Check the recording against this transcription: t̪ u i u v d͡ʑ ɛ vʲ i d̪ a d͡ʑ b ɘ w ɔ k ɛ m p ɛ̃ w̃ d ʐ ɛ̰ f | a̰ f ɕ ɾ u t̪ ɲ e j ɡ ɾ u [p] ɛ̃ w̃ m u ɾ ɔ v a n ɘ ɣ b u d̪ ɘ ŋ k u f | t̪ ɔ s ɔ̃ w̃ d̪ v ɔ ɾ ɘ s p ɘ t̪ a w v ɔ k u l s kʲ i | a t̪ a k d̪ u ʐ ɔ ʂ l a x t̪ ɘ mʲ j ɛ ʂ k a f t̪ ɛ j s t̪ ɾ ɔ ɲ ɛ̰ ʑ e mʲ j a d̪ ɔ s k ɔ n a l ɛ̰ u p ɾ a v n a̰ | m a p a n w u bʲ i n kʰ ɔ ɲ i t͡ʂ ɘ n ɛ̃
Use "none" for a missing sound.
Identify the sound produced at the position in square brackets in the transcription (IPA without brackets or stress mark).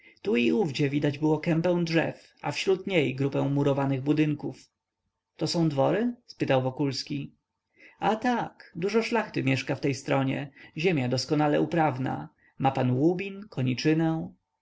p